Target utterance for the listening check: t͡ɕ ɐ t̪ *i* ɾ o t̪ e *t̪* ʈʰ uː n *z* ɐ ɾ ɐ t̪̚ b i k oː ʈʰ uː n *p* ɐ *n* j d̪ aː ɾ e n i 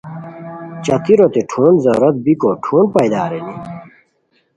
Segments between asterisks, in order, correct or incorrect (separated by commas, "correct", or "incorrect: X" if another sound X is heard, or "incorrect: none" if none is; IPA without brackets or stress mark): correct, incorrect: none, correct, correct, incorrect: none